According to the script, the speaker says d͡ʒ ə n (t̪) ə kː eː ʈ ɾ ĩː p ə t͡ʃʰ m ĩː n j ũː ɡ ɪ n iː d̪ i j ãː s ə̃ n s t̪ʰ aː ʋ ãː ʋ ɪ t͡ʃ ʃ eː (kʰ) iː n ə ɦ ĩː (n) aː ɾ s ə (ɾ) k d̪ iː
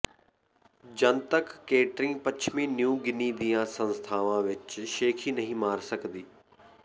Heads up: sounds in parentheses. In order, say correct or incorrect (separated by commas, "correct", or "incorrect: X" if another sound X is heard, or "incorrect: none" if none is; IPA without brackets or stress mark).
correct, correct, incorrect: m, incorrect: none